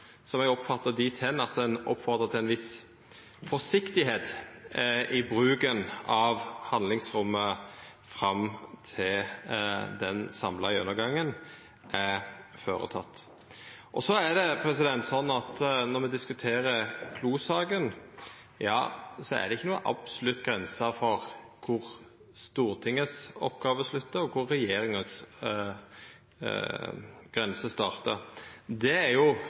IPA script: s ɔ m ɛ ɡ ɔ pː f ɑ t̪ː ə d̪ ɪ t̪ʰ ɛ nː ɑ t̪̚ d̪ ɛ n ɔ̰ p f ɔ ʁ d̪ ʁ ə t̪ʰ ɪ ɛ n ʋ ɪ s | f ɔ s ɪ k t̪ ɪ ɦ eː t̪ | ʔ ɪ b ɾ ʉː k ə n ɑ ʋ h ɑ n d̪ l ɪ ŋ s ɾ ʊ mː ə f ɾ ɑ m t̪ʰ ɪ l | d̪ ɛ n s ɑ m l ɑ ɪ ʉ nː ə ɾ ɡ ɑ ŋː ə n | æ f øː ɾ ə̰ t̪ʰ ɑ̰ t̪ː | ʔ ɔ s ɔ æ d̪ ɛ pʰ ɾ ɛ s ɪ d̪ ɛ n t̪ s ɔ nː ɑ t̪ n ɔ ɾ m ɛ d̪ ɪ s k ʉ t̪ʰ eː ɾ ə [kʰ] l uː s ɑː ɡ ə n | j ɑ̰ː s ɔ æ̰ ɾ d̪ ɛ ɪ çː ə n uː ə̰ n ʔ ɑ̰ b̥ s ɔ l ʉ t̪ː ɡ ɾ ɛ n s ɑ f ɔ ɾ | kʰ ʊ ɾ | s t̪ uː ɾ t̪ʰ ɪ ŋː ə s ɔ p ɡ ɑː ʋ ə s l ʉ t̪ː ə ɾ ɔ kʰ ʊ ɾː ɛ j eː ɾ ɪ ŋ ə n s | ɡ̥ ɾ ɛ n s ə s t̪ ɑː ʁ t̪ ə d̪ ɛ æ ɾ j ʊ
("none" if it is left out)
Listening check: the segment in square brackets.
kʰ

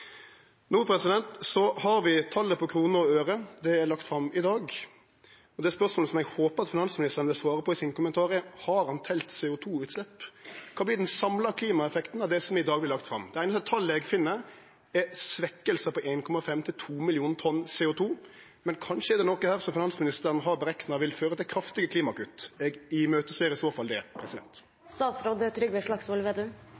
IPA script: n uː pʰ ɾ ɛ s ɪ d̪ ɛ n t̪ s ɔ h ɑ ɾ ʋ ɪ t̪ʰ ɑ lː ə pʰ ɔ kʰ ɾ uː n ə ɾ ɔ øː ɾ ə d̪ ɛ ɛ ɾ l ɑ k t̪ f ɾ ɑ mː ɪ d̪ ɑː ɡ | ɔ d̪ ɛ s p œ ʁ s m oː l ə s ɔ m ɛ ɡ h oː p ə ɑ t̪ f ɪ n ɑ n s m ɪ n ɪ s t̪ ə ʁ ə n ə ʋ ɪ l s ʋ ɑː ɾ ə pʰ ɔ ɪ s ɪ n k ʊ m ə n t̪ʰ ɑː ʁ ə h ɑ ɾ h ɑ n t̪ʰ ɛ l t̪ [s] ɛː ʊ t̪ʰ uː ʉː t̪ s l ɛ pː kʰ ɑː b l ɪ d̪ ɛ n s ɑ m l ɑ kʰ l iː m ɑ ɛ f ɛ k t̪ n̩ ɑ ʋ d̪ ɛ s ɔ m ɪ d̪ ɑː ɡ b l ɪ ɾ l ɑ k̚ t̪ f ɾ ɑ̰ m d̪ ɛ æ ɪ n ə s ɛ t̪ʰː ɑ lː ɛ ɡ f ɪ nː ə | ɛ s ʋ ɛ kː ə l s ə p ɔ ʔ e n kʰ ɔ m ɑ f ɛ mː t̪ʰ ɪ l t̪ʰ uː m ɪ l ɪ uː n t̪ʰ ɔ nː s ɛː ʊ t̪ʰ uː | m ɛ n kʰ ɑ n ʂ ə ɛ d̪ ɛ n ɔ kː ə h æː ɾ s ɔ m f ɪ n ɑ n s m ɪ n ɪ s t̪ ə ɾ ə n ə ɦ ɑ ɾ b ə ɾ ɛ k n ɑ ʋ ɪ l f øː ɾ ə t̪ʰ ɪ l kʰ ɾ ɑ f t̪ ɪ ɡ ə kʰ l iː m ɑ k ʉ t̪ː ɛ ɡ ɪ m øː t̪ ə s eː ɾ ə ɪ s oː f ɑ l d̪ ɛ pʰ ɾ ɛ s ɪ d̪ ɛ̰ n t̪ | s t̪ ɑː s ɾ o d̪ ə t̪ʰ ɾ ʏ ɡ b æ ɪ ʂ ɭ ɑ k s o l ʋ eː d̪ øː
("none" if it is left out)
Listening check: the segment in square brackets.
s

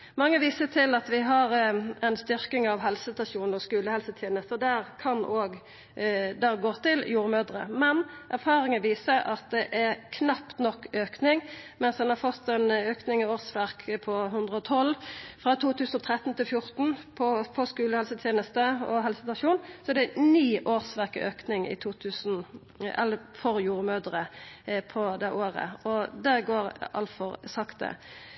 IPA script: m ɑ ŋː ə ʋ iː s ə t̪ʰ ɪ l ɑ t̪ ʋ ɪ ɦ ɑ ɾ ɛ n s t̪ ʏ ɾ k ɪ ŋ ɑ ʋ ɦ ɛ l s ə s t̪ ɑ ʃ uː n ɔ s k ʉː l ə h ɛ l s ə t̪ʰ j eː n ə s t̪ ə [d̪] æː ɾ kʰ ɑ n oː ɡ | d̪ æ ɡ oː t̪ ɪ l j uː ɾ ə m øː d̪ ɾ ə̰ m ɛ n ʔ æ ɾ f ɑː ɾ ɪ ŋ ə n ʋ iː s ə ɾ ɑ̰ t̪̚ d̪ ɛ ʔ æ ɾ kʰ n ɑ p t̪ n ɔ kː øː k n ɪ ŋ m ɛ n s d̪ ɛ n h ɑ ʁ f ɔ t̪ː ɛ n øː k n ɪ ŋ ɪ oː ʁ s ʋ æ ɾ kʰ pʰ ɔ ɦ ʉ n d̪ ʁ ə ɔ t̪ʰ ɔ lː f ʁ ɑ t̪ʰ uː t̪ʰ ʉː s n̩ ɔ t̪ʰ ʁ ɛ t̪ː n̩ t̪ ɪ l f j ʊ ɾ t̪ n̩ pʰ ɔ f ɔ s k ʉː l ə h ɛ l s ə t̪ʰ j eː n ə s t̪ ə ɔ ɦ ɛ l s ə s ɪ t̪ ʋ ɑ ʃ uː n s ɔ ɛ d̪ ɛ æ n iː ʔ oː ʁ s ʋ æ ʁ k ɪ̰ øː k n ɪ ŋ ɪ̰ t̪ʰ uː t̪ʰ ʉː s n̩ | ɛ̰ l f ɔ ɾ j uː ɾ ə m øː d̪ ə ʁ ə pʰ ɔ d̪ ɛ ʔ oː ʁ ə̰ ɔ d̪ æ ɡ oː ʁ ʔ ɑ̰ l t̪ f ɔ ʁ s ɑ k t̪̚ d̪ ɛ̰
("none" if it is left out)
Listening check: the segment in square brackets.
d̪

